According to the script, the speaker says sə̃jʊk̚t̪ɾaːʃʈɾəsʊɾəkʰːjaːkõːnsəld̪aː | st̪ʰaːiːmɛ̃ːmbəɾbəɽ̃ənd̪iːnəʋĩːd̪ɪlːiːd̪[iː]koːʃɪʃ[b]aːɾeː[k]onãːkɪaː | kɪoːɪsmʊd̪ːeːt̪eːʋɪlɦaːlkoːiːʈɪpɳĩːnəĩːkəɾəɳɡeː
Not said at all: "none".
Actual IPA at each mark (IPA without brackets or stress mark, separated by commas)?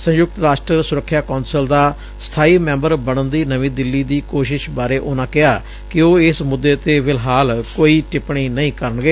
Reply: iː, b, ʔ